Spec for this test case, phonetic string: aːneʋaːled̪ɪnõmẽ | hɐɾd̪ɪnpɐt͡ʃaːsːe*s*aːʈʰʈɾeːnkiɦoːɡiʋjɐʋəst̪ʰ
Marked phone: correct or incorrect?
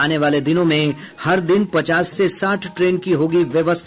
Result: correct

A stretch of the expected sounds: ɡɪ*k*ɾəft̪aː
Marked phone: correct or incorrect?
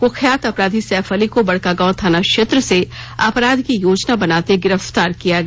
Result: incorrect: none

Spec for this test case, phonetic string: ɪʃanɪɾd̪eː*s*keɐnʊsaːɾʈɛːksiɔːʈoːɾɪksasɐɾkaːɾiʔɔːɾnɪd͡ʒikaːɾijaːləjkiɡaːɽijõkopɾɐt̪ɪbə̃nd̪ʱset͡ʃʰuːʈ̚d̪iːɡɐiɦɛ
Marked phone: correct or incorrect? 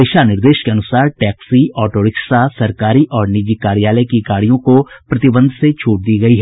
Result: incorrect: ʃ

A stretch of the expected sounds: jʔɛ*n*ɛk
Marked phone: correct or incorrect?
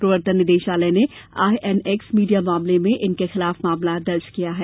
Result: correct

